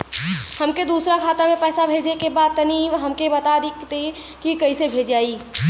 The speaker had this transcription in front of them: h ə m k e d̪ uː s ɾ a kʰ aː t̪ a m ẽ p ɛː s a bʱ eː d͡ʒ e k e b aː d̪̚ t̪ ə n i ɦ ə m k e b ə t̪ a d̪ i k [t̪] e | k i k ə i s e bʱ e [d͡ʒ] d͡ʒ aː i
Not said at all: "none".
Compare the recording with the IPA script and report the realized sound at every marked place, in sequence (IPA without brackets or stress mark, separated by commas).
t̪, d͡ʒ